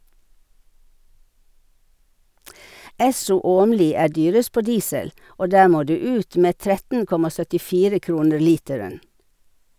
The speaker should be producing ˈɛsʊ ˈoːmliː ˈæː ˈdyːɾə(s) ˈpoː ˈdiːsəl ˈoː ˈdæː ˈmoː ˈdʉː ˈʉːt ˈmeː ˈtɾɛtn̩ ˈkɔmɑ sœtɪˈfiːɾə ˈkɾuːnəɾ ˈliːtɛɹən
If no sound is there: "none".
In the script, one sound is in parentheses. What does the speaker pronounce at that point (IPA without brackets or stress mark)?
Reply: s